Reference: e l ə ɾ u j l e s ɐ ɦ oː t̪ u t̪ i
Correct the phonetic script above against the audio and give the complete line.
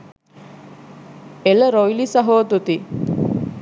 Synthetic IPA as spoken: e l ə ɾ o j l i s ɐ ɦ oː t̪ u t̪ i